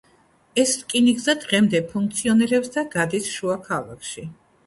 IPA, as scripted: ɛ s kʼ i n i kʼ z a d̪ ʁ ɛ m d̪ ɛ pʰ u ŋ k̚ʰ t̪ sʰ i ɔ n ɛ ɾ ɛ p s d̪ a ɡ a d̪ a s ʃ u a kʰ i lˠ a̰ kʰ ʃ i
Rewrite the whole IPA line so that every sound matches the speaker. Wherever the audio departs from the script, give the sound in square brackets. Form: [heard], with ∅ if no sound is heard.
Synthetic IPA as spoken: ɛ s kʼ i n i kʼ z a d̪ ʁ ɛ m d̪ ɛ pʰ u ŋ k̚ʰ t̪ sʰ i ɔ n ɛ ɾ ɛ p s d̪ a ɡ a d̪ [i] s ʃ u a kʰ [a] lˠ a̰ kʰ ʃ i

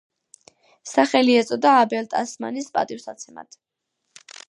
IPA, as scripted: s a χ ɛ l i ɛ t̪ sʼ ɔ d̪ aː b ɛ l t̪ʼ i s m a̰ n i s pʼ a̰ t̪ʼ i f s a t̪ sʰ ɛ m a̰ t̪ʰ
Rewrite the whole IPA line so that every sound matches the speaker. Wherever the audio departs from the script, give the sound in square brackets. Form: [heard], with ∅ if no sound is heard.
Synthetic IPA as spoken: s a χ ɛ l i ɛ t̪ sʼ ɔ d̪ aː b ɛ l t̪ʼ [a] s m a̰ n i s pʼ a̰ t̪ʼ i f s a t̪ sʰ ɛ m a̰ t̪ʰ

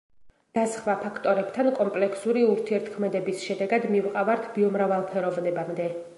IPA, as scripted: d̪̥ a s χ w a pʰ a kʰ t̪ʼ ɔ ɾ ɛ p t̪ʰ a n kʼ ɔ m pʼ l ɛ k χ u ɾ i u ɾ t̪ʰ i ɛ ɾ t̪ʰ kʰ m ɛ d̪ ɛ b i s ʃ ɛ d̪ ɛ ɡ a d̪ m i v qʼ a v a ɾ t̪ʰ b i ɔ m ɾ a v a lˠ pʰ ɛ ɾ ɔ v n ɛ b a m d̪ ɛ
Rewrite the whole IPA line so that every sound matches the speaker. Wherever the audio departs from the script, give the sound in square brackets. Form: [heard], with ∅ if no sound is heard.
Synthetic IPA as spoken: d̪̥ a s χ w a pʰ a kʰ t̪ʼ ɔ ɾ ɛ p t̪ʰ a n kʼ ɔ m pʼ l ɛ k [s] u ɾ i u ɾ t̪ʰ i ɛ ɾ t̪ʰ kʰ m ɛ d̪ ɛ b i s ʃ ɛ d̪ ɛ ɡ a d̪ m i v qʼ a v a ɾ t̪ʰ b i ɔ m ɾ a v a lˠ pʰ ɛ ɾ ɔ v n ɛ b a m d̪ ɛ

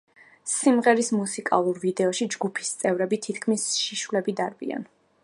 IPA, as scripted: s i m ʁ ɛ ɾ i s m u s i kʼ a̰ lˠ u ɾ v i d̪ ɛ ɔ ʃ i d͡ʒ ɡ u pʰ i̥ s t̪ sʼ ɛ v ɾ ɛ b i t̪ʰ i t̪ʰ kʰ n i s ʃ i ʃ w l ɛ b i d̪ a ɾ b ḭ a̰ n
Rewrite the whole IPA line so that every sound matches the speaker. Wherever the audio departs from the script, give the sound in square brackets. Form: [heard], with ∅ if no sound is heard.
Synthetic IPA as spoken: s i m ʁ ɛ ɾ i s m u s i kʼ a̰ lˠ u ɾ v i d̪ ɛ ɔ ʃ i d͡ʒ ɡ u pʰ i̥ s t̪ sʼ ɛ v ɾ ɛ b i t̪ʰ i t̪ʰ kʰ [m] i s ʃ i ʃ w l ɛ b i d̪ a ɾ b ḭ a̰ n

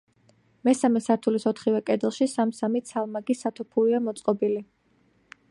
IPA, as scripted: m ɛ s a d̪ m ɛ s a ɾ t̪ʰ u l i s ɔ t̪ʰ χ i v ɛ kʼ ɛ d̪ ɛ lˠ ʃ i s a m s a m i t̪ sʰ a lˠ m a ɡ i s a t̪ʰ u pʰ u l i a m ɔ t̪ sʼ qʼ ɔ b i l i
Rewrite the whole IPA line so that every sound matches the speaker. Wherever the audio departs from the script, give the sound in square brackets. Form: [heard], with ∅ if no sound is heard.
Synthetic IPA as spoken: m ɛ s a [∅] m ɛ s a ɾ t̪ʰ u l i s ɔ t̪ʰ χ i v ɛ kʼ ɛ d̪ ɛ lˠ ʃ i s a m s a m i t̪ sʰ a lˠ m a ɡ i s a t̪ʰ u pʰ u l i a m ɔ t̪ sʼ qʼ ɔ b i l i

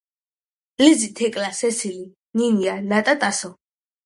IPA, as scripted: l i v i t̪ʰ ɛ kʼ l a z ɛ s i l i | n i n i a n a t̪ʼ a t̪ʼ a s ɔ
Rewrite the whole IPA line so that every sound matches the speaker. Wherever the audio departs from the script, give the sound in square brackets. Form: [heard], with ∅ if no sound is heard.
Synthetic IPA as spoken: l i [z] i t̪ʰ ɛ kʼ l a [s] ɛ s i l i | n i n i a n a t̪ʼ a t̪ʼ a s ɔ

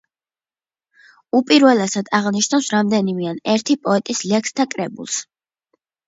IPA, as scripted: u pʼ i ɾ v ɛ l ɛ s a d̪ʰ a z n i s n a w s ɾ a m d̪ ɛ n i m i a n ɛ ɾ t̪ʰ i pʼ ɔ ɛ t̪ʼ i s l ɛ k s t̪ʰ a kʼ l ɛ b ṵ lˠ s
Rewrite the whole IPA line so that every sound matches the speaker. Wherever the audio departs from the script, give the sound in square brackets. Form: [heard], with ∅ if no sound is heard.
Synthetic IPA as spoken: u pʼ i ɾ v ɛ l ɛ s a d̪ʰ a [ʁ] n i [ʃ] n a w s ɾ a m d̪ ɛ n i m i a n ɛ ɾ t̪ʰ i pʼ ɔ ɛ t̪ʼ i s l ɛ k s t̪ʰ a kʼ [ɾ] ɛ b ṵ lˠ s

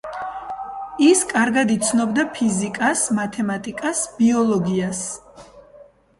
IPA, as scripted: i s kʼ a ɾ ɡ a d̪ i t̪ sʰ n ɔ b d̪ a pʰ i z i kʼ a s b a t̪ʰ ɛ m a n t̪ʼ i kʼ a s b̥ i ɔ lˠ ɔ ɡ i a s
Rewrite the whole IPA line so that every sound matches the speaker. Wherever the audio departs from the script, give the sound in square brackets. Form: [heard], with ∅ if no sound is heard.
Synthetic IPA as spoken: i s kʼ a ɾ ɡ a d̪ i t̪ sʰ n ɔ b d̪ a pʰ i z i kʼ a s [m] a t̪ʰ ɛ m a [∅] t̪ʼ i kʼ a s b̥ i ɔ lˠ ɔ ɡ i a s

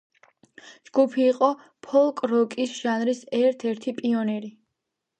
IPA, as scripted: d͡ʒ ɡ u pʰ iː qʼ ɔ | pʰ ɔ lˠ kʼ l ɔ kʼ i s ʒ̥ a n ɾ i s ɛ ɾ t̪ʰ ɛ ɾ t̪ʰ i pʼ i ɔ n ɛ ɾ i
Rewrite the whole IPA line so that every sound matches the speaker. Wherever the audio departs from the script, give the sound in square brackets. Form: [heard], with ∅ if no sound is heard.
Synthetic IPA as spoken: d͡ʒ ɡ u pʰ iː qʼ ɔ | pʰ ɔ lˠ kʼ [ɾ] ɔ kʼ i s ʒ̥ a n ɾ i s ɛ ɾ t̪ʰ ɛ ɾ t̪ʰ i pʼ i ɔ n ɛ ɾ i

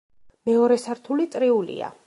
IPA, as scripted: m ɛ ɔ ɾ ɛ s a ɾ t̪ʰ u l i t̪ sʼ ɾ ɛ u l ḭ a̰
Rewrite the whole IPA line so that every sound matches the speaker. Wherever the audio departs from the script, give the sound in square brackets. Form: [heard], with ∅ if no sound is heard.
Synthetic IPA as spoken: m ɛ ɔ ɾ ɛ s a ɾ t̪ʰ u l i t̪ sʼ ɾ [i] u l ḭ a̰

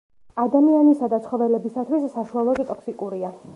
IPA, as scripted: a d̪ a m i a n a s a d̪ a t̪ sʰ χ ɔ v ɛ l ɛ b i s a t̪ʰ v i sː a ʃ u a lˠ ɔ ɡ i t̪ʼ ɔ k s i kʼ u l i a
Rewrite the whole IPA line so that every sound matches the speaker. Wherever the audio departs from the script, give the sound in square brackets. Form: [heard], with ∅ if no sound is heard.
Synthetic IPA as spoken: a d̪ a m i a n [i] s a d̪ a t̪ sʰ χ ɔ v ɛ l ɛ b i s a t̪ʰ [w] i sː a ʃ u a lˠ ɔ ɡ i t̪ʼ ɔ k s i kʼ u [ɾ] i a

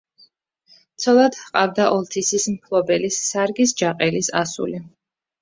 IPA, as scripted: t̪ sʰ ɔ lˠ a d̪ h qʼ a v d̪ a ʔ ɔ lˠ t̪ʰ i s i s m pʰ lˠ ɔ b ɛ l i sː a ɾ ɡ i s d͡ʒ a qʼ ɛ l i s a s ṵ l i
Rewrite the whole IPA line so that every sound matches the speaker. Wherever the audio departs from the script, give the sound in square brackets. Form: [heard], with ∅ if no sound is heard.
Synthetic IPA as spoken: t̪ sʰ ɔ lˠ a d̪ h qʼ a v d̪ a ʔ ɔ lˠ t̪ʰ i s i s m pʰ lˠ ɔ b ɛ l i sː a ɾ ɡ i s d͡ʒ a qʼ ɛ l i s a s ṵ l i

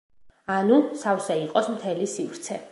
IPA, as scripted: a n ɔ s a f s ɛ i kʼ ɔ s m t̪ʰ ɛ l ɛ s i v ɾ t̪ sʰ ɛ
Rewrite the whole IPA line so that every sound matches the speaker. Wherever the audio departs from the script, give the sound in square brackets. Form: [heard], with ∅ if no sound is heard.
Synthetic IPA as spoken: a n [u] s a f s ɛ i [qʼ] ɔ s m t̪ʰ ɛ l [i] s i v ɾ t̪ sʰ ɛ

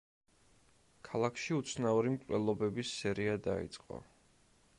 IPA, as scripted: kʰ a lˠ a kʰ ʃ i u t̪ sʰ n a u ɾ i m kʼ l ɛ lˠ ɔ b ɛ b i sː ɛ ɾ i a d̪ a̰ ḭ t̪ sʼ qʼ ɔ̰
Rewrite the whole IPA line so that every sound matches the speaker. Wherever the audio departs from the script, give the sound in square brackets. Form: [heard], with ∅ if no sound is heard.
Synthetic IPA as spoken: kʰ a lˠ a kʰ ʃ i u t̪ sʰ n a u ɾ i m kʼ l ɛ lˠ ɔ b ɛ b i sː ɛ ɾ i a d̪ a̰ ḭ t̪ sʼ qʼ ɔ̰

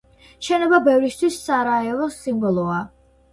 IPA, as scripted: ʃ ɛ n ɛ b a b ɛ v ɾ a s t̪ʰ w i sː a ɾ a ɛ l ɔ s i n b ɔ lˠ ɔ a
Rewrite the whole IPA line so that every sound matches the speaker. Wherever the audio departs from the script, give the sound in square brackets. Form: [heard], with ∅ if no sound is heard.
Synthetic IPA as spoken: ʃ ɛ n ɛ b a b ɛ v ɾ [i] s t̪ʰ w i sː a ɾ a ɛ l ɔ s i [m] b ɔ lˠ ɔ a

